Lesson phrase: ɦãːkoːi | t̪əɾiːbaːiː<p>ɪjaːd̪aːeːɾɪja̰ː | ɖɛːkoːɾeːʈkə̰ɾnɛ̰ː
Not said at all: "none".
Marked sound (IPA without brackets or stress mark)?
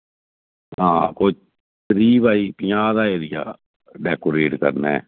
p